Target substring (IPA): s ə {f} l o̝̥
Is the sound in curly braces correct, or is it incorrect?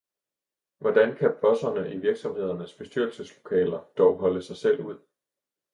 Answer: incorrect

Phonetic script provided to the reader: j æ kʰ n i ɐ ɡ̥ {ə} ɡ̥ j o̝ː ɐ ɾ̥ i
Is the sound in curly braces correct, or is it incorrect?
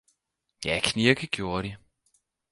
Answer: correct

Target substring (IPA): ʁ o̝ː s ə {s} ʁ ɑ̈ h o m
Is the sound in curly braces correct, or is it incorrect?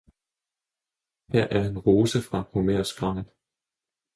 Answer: incorrect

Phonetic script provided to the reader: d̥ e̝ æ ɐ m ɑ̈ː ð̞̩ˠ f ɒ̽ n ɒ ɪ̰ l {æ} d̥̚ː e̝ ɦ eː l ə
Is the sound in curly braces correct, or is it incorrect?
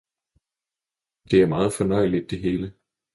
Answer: incorrect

